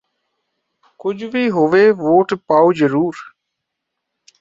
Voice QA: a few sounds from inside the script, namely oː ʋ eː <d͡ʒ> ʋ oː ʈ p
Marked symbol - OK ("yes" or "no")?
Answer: no